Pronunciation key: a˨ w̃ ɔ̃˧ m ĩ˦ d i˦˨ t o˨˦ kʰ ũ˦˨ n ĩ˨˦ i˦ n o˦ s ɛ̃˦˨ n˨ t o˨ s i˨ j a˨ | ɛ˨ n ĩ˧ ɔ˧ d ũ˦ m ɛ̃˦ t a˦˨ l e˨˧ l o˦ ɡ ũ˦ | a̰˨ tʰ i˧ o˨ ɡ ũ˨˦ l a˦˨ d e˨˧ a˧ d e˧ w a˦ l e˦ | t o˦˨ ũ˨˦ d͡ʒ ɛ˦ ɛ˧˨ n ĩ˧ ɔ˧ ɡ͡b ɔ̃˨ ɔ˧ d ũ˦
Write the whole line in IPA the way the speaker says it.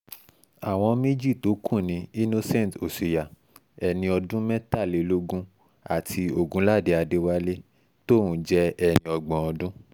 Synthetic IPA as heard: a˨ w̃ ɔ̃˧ m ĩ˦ d͡ʒ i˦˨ t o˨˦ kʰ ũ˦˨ n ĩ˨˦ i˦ n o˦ s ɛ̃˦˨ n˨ t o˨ s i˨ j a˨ | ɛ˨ n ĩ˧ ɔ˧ d ũ˦ m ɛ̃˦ t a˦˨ l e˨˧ l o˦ ɡ ũ˦ | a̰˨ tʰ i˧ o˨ ɡ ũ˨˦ l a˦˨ d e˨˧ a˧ d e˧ w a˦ l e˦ | t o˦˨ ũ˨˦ d͡ʒ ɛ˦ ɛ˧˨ n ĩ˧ ɔ˧ ɡ͡b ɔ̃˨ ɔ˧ d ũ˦